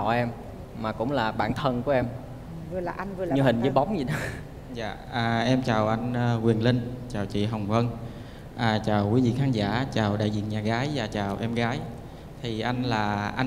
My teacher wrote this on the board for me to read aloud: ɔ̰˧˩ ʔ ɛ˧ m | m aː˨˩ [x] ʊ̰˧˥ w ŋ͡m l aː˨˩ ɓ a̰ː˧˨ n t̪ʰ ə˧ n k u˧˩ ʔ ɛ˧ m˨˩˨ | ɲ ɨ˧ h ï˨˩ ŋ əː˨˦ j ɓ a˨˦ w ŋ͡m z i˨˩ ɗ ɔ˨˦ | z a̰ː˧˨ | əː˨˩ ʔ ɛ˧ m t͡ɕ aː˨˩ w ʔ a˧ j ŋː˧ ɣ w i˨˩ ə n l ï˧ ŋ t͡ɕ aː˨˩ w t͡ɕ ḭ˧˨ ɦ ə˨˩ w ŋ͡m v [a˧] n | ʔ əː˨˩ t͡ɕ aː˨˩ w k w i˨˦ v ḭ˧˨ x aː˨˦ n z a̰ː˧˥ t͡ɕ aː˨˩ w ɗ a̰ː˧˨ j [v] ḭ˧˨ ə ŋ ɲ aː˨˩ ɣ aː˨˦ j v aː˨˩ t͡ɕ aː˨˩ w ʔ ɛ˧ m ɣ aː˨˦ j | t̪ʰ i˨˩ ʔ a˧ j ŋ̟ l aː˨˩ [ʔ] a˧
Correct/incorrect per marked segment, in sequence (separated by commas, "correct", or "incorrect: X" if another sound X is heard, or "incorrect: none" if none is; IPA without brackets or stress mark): incorrect: k, incorrect: ə˧, incorrect: z, correct